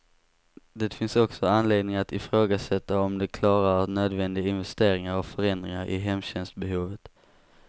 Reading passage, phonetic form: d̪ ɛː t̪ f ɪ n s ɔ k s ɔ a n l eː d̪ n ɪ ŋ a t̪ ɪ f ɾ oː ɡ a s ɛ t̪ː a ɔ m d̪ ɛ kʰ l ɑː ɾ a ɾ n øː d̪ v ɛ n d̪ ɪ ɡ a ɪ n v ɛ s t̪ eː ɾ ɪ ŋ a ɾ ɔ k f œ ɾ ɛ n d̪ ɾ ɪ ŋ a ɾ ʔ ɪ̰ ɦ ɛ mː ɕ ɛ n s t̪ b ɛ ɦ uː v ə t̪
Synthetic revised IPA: d̪ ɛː t̪ f ɪ n s ɔ k s ɔ a n l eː d̪ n ɪ ŋ a t̪ ɪ f ɾ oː ɡ a s ɛ t̪ː a ɔ m d̪ ɛ kʰ l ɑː ɾ a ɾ n øː d̪ v ɛ n d̪ ɪ ɡ a ɪ n v ɛ s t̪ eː ɾ ɪ ŋ a ɾ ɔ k f œ ɾ ɛ n d̪ ɾ ɪ ŋ a ɾ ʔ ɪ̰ ɦ ɛ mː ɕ ɛ n s t̪ b ɛ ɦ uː v ə t̪